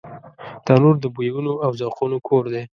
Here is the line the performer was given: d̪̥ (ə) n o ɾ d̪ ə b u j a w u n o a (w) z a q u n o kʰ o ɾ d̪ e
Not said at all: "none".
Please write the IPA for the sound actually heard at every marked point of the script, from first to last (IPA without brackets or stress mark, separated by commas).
ɑ, w